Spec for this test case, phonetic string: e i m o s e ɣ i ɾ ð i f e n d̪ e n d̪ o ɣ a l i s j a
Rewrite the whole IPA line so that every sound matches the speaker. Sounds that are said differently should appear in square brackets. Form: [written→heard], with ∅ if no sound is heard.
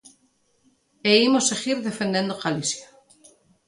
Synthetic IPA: e i m o s e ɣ i ɾ ð [i→e] f e n d̪ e n d̪ o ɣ a l i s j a